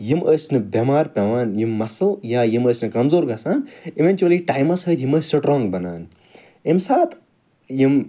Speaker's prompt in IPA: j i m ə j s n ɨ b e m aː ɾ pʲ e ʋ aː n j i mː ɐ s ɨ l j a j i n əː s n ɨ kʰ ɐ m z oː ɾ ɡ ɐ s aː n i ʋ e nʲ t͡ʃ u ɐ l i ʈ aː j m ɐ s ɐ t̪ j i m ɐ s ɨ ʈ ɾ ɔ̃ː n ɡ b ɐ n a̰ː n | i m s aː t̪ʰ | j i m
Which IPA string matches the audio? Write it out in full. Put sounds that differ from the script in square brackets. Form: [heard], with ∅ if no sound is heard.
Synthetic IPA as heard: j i m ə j s n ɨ b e m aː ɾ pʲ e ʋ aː n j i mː ɐ s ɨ l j a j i [m] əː s n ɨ [k] ɐ m z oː ɾ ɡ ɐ s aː n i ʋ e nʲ t͡ʃ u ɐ l i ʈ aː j m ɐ s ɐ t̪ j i m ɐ s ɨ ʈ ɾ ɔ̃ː [ŋ] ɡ b ɐ n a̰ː n | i m s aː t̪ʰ | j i m